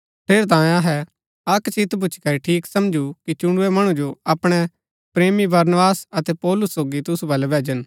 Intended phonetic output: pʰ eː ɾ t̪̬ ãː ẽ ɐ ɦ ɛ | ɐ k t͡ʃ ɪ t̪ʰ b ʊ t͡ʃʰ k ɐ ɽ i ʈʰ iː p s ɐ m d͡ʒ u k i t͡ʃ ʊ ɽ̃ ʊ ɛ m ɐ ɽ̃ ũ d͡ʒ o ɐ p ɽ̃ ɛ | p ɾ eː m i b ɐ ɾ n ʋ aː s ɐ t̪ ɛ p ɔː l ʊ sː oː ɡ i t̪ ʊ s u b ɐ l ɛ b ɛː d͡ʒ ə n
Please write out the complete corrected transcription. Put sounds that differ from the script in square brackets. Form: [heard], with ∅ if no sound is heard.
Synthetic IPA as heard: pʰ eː ɾ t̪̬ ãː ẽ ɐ ɦ ɛ | ɐ k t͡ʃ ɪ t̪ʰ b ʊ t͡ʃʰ k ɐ [ɾ] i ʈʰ iː [k] s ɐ m d͡ʒ u k i t͡ʃ ʊ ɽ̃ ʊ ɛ m ɐ ɽ̃ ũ d͡ʒ o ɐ p ɽ̃ ɛ | p ɾ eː m i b ɐ ɾ n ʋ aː s ɐ t̪ ɛ p ɔː l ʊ sː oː ɡ i t̪ ʊ s u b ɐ l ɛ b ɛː d͡ʒ ə n